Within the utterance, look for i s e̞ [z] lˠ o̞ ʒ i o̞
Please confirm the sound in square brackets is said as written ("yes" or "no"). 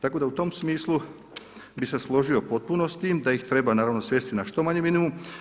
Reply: no